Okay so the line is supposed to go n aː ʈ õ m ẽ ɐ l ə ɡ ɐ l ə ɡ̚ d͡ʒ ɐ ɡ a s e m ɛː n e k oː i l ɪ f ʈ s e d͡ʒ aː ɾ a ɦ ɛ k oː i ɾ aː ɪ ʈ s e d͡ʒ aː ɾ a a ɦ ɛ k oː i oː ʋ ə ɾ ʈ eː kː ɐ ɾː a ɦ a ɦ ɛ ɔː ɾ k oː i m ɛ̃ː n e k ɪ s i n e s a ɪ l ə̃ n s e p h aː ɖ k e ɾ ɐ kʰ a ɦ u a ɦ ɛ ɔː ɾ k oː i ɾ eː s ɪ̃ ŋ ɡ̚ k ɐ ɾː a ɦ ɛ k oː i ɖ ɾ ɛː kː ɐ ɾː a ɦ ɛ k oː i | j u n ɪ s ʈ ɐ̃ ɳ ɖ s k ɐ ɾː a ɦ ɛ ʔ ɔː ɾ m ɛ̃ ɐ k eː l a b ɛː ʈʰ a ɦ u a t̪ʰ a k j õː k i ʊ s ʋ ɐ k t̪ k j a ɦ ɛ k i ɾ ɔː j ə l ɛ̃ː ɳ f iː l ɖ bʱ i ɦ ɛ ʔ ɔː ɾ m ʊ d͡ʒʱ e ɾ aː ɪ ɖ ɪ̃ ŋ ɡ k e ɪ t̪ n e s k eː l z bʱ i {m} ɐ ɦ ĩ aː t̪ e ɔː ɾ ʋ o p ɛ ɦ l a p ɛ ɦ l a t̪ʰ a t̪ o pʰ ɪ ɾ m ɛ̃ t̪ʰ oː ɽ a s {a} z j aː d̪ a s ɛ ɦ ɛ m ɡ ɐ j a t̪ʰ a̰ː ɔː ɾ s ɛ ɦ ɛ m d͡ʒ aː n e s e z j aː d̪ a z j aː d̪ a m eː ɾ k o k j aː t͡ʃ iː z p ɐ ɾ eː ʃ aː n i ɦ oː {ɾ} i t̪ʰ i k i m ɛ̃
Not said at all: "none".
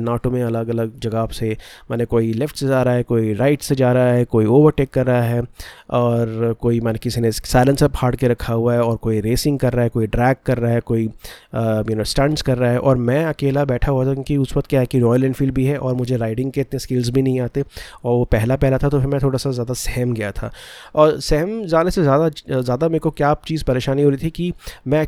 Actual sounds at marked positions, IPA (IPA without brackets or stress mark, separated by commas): n, a, ɾ